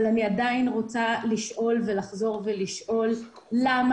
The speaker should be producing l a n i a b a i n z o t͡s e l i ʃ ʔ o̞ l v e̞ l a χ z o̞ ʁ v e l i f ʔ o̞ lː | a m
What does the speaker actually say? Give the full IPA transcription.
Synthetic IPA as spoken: l a n i a d a i n ʁ o t͡s a l i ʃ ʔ o̞ l v e̞ l a χ z o̞ ʁ v e l i ʃ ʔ o̞ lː | a m